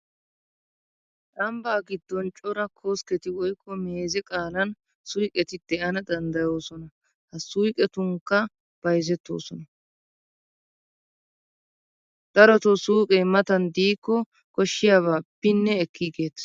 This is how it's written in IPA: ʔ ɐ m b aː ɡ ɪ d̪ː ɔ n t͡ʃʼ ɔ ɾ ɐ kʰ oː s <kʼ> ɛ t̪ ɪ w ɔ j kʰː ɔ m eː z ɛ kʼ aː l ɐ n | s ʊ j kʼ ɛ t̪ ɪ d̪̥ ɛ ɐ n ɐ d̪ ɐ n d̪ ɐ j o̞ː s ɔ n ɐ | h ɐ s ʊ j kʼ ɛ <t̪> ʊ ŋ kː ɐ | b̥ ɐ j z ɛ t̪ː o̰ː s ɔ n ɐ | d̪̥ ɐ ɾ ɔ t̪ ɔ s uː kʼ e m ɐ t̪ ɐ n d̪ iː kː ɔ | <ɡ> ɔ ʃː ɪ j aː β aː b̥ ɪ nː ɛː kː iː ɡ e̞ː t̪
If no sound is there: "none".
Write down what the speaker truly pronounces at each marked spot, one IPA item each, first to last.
k, t̪, k

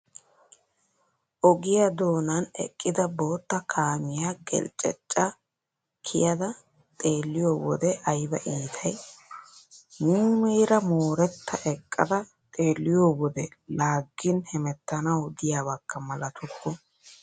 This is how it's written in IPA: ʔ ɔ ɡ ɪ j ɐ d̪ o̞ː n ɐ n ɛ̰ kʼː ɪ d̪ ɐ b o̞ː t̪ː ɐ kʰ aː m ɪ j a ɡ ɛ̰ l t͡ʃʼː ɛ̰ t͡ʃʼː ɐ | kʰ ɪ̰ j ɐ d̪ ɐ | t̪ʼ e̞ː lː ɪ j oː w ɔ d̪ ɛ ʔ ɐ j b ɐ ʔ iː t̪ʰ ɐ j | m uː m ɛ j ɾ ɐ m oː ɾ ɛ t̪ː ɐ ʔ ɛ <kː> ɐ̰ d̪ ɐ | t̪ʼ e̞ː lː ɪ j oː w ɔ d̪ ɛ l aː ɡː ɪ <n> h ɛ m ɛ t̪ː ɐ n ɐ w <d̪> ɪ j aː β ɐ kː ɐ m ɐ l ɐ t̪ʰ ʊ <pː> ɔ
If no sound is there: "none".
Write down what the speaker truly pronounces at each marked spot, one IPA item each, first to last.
kʼː, n, d̪, kː

